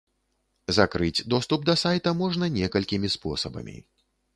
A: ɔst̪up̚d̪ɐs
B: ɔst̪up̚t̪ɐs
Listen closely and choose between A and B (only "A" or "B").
A